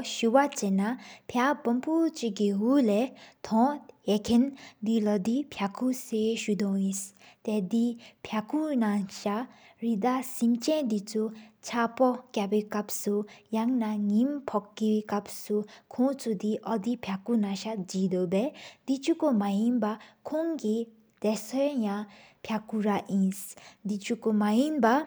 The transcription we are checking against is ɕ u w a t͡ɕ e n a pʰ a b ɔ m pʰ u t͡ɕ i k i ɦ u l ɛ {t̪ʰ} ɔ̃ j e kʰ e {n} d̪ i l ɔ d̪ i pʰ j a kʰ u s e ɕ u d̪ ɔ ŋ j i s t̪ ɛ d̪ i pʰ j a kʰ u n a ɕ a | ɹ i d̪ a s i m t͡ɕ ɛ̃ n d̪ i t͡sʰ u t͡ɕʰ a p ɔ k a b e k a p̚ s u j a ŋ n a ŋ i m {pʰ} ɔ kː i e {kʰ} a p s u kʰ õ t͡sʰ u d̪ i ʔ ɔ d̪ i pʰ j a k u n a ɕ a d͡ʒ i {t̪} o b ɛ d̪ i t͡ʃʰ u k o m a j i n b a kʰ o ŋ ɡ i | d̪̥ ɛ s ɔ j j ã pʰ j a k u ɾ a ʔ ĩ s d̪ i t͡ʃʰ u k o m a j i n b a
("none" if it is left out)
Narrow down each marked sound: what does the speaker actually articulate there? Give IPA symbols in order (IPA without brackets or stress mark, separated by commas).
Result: t̪ʰ, n, pʰ, k, d̪